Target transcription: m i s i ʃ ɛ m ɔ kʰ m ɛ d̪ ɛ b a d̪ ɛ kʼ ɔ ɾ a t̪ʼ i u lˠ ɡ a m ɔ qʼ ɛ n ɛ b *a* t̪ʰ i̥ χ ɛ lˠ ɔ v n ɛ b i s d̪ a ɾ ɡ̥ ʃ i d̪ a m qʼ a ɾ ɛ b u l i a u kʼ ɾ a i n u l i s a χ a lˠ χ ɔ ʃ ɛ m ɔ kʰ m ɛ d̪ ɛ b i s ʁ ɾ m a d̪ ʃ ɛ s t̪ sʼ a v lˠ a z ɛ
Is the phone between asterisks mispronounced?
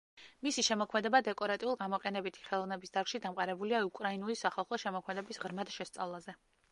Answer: yes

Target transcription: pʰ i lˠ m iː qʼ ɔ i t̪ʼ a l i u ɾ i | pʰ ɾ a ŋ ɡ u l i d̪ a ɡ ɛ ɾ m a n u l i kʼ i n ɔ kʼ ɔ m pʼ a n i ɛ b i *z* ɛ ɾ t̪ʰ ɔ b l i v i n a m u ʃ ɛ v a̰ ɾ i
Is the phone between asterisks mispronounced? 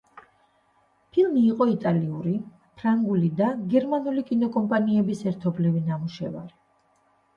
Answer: yes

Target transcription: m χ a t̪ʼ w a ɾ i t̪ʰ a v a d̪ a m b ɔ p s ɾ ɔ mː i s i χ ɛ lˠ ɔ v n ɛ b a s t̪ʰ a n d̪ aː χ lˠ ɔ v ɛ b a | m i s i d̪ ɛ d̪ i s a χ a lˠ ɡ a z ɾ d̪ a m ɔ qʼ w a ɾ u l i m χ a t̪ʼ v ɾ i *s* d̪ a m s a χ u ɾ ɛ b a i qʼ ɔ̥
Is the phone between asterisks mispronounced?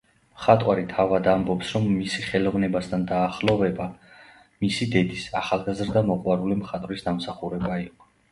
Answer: no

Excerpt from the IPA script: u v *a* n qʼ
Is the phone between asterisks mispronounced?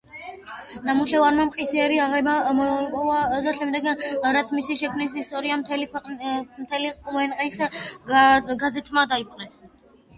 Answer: yes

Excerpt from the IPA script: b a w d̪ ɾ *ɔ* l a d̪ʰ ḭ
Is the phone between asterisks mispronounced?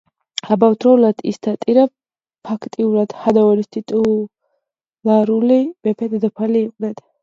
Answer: no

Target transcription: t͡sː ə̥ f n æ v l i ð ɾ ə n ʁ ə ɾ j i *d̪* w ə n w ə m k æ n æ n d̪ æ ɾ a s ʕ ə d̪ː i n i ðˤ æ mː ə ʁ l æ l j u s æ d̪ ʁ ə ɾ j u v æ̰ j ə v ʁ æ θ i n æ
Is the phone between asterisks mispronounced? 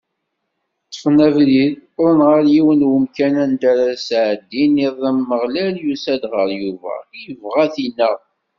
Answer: yes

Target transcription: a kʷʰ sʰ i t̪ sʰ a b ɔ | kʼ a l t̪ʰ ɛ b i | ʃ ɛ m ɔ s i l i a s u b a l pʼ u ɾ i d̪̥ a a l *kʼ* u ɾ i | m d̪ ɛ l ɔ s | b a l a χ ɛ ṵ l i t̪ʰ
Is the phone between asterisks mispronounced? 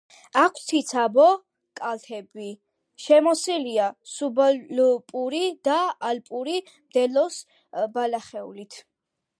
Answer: yes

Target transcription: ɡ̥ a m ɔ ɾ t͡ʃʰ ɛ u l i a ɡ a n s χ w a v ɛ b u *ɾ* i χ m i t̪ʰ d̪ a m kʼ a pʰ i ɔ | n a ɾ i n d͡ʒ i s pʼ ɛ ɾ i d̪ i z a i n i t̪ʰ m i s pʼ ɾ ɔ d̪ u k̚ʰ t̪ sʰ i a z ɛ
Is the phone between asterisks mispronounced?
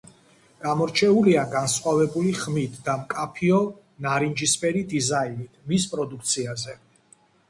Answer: yes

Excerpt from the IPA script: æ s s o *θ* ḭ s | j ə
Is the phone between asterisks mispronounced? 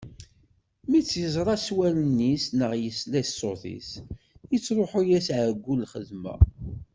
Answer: no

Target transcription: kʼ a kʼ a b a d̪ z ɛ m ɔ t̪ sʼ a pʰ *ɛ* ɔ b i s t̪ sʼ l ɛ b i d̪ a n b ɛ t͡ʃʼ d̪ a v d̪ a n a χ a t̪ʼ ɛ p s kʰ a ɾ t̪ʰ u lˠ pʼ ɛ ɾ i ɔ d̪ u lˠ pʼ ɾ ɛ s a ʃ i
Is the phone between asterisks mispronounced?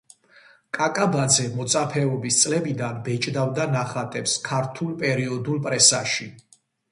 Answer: no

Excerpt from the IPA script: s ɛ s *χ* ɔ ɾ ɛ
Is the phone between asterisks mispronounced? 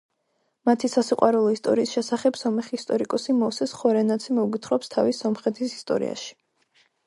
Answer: no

